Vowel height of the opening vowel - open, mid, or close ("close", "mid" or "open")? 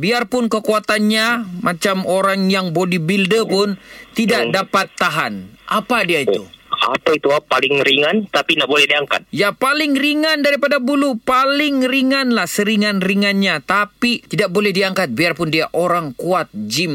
close